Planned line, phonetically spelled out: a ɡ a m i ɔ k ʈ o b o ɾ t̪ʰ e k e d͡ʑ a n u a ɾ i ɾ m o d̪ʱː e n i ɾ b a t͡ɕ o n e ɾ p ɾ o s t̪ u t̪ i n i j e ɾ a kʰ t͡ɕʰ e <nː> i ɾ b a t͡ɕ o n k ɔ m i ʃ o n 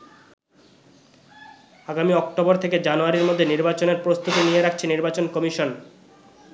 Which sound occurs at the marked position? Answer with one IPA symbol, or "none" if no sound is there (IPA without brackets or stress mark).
n